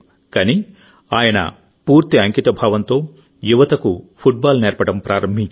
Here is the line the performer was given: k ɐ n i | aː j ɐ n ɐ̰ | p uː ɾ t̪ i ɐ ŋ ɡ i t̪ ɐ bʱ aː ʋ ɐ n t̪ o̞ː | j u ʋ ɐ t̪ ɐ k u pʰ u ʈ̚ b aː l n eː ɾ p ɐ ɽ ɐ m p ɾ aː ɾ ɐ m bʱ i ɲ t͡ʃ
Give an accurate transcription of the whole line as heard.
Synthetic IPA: k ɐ n i | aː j ɐ n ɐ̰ | p uː ɾ t̪ i ɐ ŋ k i t̪ ɐ bʱ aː ʋ ɐ n t̪ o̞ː | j u ʋ ɐ t̪ ɐ k u pʰ u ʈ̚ b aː l n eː ɾ p ɐ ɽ ɐ m p ɾ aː ɾ ɐ m bʱ i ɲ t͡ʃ